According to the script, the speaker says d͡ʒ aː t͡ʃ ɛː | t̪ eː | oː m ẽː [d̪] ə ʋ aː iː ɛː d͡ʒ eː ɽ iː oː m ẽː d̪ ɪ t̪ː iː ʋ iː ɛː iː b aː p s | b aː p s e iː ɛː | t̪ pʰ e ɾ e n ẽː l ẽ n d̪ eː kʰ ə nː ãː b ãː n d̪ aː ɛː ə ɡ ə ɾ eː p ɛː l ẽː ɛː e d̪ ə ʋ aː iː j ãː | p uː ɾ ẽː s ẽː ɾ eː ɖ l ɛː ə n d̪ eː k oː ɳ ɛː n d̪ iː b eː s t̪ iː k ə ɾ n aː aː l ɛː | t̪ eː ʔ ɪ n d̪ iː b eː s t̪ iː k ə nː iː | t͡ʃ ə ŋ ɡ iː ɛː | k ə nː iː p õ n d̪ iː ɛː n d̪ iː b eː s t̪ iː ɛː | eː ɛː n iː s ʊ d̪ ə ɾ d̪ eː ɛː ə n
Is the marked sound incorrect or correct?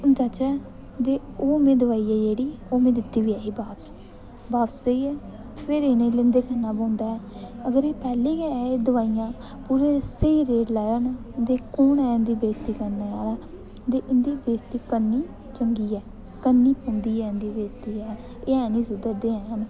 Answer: correct